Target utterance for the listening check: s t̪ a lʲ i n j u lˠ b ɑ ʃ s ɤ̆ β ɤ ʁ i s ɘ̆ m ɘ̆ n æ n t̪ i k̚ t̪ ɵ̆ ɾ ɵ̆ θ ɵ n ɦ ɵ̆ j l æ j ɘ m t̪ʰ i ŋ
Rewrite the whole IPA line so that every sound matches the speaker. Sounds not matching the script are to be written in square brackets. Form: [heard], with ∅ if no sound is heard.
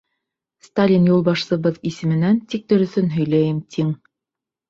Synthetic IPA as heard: s t̪ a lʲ i n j u lˠ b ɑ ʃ s ɤ̆ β ɤ [ð] i s ɘ̆ m ɘ̆ n æ n t̪ i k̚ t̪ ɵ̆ ɾ ɵ̆ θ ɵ n ɦ ɵ̆ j l æ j ɘ m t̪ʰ i ŋ